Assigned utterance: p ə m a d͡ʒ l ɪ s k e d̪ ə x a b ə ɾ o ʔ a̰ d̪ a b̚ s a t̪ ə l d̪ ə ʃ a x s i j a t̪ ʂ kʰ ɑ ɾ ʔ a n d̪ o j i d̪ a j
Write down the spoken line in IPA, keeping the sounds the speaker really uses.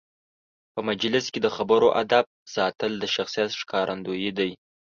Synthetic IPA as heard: p ə m a d͡ʒ l ɪ s k e d̪ ə x a b ə ɾ o ʔ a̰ d̪ a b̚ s ɑ t̪ ə l d̪ ə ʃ a x s i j a t̪ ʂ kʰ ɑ ɾ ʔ a n d̪ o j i d̪ a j